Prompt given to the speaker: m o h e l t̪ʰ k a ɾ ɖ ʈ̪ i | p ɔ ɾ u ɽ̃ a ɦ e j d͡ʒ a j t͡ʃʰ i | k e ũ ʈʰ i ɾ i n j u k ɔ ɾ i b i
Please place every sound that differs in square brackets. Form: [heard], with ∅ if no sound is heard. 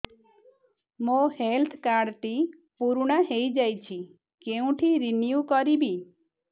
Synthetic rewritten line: m o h e l t̪ʰ k a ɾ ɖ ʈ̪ i | p [u] ɾ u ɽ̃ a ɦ e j d͡ʒ a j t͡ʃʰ i | k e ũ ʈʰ i ɾ i n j u k ɔ ɾ i b i